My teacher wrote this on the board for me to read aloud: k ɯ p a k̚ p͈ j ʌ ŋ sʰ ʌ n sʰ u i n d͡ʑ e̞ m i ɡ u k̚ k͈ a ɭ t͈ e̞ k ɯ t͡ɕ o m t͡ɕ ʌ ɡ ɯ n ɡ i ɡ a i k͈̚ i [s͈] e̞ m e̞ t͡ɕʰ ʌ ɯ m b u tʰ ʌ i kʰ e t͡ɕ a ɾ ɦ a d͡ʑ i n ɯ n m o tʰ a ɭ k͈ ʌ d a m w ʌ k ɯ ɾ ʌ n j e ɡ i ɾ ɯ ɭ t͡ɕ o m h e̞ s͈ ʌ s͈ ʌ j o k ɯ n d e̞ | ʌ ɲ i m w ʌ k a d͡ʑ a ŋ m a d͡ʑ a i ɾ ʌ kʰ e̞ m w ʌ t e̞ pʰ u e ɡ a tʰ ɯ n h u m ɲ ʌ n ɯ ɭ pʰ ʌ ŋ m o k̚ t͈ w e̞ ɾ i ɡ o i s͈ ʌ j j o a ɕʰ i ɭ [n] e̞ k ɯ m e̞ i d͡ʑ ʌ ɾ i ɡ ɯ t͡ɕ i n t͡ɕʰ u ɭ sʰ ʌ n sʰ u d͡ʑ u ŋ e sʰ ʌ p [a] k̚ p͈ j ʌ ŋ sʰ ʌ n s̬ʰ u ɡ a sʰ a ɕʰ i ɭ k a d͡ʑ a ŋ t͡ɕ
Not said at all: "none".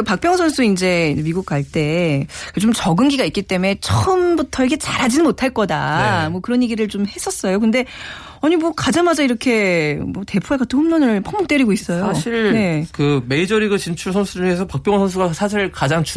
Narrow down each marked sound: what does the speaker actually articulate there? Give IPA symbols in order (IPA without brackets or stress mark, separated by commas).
t͈, n, a